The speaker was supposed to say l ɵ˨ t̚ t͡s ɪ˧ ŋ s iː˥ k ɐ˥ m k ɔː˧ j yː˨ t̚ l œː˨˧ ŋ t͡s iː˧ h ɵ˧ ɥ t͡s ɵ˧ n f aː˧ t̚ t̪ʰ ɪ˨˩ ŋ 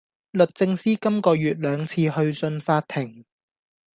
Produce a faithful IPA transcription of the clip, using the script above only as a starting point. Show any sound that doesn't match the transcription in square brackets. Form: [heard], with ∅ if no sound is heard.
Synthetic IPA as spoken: l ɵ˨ t̚ t͡s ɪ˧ ŋ s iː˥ k ɐ˥ m k ɔː˧ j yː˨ t̚ l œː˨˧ ŋ [t͡sʰ] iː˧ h ɵ˧ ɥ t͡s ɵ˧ n f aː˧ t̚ t̪ʰ ɪ˨˩ ŋ